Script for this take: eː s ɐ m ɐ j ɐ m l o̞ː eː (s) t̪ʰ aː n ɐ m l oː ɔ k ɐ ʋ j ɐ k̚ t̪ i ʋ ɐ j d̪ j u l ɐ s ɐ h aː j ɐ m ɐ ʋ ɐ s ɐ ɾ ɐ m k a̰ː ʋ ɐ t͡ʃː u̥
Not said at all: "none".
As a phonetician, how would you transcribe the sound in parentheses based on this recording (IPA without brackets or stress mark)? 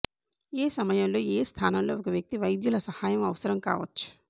s